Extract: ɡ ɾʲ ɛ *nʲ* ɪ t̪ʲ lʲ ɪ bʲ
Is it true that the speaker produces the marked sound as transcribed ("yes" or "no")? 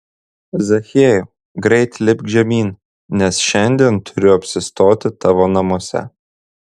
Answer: no